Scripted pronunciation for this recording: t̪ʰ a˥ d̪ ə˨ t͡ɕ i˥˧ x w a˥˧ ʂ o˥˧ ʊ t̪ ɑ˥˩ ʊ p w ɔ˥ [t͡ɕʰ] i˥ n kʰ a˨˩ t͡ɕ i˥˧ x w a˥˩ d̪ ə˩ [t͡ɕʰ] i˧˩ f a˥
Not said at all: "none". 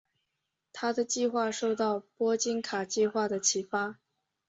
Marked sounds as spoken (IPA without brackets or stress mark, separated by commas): t͡ɕ, t͡ɕʰ